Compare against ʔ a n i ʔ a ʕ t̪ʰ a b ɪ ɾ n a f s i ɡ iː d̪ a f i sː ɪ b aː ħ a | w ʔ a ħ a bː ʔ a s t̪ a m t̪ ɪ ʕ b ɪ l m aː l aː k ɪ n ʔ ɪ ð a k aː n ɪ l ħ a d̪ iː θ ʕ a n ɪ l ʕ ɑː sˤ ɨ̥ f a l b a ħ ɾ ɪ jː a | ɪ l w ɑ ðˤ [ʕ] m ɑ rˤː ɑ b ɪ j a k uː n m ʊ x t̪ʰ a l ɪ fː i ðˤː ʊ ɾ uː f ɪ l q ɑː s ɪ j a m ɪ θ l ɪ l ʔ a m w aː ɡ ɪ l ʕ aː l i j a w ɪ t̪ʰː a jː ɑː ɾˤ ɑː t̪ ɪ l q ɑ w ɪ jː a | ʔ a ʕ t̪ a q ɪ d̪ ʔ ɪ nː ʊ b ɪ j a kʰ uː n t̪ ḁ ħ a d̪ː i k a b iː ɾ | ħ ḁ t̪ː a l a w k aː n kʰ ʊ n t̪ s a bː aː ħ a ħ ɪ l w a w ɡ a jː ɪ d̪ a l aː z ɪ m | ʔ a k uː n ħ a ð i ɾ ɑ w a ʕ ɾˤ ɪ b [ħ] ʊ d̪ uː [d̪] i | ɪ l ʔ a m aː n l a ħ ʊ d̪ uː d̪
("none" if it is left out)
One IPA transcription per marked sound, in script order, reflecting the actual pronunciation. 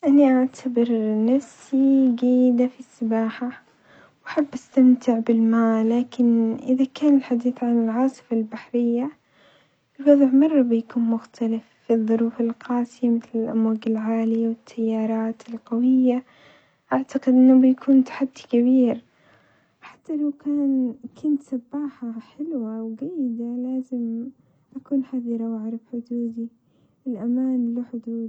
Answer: ʕ, ħ, d̪

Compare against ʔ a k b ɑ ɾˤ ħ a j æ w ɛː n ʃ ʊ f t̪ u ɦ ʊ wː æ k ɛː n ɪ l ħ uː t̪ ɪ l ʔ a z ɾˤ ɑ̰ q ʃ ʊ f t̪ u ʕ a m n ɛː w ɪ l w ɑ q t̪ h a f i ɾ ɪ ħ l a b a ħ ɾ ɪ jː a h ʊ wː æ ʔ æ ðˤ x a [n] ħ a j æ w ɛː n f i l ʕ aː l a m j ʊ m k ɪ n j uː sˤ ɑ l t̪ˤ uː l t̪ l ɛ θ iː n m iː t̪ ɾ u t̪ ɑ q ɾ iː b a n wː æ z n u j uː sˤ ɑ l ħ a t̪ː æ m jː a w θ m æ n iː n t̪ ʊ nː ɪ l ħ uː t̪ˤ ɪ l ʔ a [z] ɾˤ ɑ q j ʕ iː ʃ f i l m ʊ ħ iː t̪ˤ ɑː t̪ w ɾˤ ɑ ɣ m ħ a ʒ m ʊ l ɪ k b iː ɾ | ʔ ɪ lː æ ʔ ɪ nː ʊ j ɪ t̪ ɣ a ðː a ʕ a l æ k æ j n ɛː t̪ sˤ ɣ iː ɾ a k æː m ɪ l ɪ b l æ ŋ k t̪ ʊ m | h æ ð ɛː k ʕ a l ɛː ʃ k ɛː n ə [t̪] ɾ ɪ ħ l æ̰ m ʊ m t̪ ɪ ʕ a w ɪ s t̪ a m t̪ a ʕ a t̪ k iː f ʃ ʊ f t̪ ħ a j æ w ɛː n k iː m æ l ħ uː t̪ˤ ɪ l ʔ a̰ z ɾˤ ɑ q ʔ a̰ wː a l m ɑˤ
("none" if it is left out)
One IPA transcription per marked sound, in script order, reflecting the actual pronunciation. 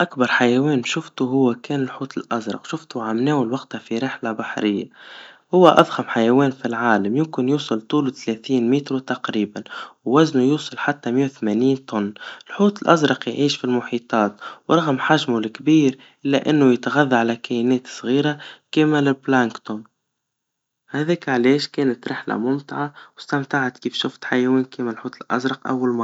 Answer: m, z, t̪

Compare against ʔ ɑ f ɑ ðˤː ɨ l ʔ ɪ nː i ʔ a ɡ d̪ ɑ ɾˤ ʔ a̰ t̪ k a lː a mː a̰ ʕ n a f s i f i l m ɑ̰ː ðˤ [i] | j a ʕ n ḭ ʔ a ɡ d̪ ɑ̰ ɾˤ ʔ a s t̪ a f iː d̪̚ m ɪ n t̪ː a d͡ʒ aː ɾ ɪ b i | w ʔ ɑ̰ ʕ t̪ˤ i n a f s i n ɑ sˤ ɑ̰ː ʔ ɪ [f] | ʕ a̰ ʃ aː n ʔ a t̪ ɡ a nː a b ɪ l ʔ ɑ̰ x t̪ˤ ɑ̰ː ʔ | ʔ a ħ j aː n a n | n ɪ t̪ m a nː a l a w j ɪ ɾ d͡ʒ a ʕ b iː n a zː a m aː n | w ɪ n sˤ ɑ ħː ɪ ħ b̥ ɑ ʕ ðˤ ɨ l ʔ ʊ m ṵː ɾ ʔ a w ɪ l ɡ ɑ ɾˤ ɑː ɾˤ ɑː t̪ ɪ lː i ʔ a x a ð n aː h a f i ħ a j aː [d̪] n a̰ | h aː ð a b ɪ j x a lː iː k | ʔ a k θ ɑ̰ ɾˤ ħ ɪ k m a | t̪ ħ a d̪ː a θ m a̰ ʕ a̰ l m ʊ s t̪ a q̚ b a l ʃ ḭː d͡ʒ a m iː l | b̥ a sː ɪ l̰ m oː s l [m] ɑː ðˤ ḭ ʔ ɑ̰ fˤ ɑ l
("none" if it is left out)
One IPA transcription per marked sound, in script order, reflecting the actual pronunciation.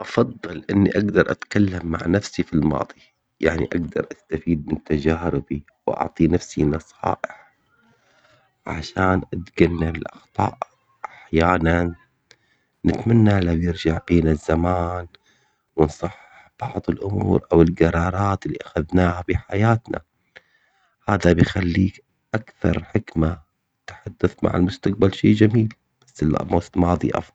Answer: i, ħ, t̪, m

